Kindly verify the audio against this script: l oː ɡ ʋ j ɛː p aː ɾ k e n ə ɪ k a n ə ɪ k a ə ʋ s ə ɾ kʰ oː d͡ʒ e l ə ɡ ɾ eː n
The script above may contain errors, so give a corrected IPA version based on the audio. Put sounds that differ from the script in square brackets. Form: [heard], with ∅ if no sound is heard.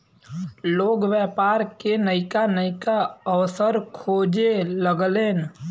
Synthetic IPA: l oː ɡ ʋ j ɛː p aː ɾ k e n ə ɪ k a n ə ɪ k a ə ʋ s ə ɾ kʰ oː d͡ʒ e l ə ɡ [l] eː n